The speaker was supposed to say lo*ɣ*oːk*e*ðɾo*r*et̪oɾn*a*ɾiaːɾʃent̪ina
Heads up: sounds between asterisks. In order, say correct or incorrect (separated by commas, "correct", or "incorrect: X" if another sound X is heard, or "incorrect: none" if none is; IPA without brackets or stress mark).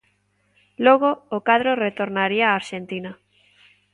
correct, incorrect: a, correct, correct